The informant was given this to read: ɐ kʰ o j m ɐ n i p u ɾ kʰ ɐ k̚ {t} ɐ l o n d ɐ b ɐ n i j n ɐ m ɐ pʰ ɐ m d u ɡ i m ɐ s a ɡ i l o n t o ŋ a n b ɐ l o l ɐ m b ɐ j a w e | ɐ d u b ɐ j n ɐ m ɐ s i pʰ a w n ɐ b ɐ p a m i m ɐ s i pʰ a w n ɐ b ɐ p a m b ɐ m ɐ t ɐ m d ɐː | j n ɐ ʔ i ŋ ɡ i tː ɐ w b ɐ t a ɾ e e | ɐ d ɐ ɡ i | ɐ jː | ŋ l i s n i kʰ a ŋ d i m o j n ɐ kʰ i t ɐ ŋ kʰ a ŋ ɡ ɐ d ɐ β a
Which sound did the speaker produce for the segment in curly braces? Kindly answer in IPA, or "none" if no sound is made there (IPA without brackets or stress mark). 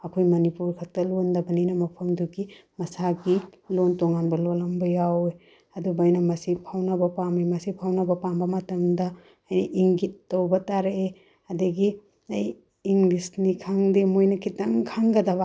t